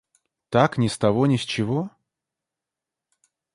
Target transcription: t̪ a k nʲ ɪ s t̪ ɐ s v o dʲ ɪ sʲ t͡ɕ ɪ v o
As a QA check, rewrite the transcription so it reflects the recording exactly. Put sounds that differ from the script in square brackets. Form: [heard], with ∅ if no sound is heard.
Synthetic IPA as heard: t̪ a k nʲ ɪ s t̪ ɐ [∅] v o [nʲ] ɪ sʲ t͡ɕ ɪ v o